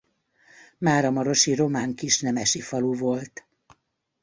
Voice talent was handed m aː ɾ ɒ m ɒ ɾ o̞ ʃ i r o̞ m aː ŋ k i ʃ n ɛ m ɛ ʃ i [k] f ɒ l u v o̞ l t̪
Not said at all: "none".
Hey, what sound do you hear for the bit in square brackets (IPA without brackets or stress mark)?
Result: none